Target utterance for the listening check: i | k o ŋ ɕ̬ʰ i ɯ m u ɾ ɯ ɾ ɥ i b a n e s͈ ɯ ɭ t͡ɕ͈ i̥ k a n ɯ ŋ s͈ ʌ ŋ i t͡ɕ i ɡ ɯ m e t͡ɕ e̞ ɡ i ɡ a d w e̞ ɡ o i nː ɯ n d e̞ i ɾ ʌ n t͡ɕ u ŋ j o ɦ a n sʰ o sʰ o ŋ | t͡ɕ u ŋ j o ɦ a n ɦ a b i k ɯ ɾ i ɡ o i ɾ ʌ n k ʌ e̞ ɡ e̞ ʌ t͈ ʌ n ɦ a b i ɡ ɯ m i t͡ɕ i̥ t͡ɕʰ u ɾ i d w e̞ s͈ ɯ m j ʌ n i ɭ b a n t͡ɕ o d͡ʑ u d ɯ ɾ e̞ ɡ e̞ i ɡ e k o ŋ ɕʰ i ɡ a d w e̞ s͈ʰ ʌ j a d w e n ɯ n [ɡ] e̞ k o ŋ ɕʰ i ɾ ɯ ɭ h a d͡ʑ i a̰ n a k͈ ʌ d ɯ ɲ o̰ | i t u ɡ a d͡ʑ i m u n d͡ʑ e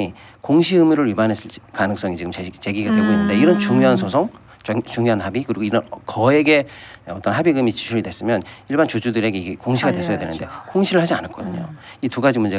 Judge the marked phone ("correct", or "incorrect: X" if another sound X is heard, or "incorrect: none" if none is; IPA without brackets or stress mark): incorrect: d